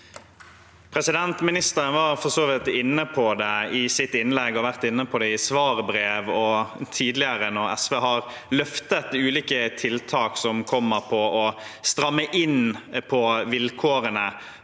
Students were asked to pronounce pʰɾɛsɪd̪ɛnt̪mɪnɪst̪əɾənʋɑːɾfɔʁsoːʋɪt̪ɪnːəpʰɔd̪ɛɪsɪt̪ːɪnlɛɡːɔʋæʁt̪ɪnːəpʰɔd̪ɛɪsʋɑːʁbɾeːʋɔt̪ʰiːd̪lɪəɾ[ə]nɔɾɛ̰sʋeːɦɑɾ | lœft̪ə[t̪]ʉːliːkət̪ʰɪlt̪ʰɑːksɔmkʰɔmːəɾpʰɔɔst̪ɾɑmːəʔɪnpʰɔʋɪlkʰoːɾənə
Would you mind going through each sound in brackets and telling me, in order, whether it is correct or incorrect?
correct, correct

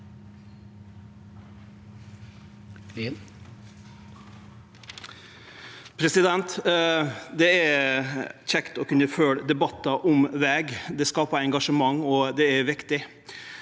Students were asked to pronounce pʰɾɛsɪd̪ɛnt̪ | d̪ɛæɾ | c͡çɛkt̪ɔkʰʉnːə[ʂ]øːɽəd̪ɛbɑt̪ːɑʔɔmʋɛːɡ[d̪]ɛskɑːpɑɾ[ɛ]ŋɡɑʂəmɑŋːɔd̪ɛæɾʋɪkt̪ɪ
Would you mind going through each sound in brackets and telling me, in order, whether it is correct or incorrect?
incorrect, correct, correct

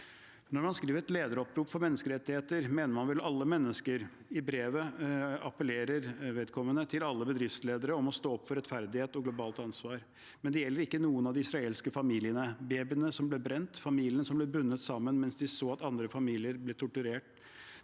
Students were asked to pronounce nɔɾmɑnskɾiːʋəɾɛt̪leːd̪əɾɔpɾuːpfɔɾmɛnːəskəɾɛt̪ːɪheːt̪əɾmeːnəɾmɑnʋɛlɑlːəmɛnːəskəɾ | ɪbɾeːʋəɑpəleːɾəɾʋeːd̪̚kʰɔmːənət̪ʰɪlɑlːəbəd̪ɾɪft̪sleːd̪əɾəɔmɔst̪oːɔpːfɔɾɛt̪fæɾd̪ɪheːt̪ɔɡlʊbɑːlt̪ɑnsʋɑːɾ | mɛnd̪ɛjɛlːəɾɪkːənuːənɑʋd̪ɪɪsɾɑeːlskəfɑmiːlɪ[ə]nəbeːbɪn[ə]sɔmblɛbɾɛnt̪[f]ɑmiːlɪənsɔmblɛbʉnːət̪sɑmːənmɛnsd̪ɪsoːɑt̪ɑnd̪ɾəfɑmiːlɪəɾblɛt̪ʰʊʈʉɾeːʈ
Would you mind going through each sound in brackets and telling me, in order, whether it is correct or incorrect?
correct, correct, correct

